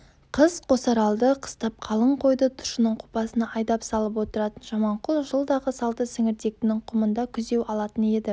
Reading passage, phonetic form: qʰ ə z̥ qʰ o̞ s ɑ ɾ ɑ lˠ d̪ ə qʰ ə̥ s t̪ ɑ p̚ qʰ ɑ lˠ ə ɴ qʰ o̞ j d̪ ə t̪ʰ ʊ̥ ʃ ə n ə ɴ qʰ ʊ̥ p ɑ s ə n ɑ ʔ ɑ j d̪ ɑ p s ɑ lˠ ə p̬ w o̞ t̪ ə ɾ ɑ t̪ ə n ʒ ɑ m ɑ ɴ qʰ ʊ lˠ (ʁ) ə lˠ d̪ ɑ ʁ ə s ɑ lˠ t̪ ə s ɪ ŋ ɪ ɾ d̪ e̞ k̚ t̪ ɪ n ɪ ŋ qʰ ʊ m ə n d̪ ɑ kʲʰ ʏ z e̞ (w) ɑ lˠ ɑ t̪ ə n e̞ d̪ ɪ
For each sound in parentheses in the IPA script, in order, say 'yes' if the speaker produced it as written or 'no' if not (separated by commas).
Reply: no, yes